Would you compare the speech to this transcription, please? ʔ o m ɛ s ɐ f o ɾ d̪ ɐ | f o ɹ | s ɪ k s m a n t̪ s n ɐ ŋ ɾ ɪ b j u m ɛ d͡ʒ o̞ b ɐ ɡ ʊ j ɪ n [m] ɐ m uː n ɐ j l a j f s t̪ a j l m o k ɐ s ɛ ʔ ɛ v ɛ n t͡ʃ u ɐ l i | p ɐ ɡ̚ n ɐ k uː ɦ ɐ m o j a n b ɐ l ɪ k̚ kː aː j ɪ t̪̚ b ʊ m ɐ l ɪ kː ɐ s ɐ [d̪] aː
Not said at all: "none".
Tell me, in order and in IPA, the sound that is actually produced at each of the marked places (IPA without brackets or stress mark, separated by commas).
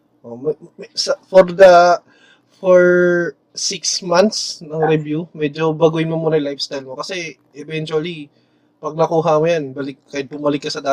m, d̪